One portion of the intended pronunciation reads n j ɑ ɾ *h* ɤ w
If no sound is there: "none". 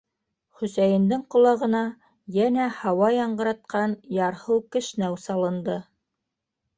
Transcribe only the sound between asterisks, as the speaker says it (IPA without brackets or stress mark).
h